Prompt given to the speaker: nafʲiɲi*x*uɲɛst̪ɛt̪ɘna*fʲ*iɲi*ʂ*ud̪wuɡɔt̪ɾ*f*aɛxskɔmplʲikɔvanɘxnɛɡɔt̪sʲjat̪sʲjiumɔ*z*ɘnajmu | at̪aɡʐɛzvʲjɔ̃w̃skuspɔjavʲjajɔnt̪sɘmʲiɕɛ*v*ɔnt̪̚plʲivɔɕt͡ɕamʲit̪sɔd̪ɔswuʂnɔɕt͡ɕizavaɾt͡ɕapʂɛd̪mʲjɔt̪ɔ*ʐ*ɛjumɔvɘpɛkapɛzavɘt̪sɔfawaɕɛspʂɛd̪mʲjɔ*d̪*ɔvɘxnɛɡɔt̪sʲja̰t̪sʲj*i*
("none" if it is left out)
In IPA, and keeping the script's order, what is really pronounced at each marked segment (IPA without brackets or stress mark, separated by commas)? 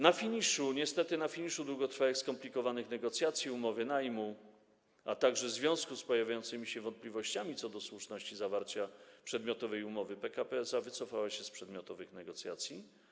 ʂ, fʲ, ʂ, f, v, v, v, t̪, i